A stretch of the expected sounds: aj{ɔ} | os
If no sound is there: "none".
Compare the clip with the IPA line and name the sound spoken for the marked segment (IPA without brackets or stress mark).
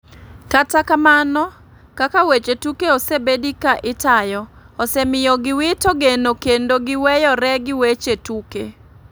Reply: ɔ